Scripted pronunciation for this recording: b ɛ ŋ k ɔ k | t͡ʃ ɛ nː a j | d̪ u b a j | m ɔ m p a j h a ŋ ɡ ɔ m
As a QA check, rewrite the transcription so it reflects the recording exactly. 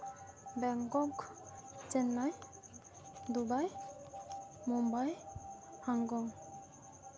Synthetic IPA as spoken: b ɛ ŋ k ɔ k | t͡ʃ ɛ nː a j | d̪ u b a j | m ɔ m b a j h a ŋ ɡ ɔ ŋ